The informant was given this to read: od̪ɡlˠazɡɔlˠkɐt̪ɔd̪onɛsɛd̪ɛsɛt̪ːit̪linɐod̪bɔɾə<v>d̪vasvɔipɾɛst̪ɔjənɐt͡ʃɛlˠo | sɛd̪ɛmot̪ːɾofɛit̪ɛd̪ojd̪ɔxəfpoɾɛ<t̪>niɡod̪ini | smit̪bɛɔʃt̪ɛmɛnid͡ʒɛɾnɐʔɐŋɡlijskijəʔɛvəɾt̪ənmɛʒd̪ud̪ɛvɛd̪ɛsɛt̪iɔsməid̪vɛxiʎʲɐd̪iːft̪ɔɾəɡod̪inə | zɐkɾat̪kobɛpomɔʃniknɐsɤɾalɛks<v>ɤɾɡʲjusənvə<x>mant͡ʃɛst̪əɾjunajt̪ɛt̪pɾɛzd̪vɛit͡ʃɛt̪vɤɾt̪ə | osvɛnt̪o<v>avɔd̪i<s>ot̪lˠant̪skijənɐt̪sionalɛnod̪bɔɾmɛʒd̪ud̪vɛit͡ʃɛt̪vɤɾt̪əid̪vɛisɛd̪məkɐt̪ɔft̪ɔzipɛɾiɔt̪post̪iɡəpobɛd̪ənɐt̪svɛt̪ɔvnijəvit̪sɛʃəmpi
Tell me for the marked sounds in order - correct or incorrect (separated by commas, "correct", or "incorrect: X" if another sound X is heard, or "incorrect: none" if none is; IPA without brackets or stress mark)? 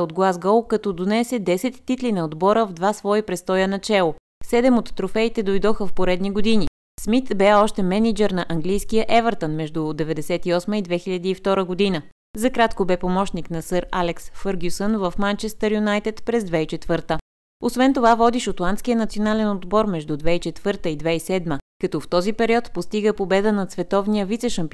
correct, incorrect: d̪, incorrect: f, incorrect: f, correct, incorrect: ʃ